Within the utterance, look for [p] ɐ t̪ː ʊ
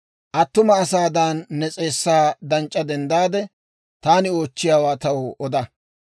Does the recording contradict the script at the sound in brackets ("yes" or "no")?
yes